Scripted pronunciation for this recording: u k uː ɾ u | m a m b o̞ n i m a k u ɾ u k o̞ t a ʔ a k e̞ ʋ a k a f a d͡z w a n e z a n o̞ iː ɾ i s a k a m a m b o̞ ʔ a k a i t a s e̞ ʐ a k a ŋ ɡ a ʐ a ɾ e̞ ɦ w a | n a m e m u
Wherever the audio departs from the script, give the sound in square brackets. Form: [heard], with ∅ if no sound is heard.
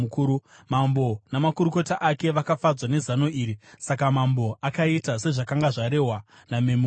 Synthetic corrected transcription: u k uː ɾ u | m a m b o̞ n [a] m a k u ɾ u k o̞ t a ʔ a k e̞ ʋ a k a f a d͡z w a n e z a n o̞ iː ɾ i s a k a m a m b o̞ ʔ a k a i t a s e̞ ʐ a k a ŋ ɡ a ʐ a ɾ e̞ ɦ w a | n a m e m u